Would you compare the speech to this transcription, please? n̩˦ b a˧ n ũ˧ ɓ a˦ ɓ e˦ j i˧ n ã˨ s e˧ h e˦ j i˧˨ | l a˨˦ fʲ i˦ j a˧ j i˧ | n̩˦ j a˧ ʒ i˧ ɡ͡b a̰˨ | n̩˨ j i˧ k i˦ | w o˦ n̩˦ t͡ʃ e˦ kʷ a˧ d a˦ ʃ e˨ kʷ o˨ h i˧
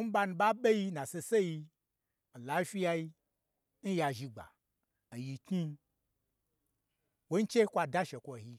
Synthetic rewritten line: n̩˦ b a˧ n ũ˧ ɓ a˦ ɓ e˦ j i˧ n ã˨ s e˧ s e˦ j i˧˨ | l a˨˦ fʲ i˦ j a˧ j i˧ | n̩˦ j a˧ ʒ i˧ ɡ͡b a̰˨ | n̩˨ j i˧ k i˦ | w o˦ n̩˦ t͡ʃ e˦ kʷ a˧ d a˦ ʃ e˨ kʷ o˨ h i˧